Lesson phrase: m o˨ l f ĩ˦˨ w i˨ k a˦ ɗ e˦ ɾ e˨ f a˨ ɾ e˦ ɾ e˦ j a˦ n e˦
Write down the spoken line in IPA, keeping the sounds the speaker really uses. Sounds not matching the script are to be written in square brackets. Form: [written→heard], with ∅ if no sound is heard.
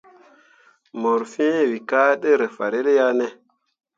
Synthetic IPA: m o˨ [l→ɾ] f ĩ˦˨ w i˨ k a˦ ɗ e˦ ɾ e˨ f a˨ ɾ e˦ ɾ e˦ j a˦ n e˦